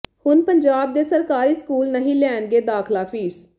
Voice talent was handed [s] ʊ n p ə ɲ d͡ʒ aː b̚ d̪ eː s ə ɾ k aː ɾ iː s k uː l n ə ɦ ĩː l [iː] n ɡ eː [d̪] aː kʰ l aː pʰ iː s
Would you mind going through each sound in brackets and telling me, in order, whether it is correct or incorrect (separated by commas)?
incorrect, incorrect, correct